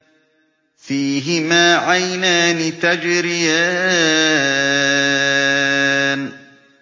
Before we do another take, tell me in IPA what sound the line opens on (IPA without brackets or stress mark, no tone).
f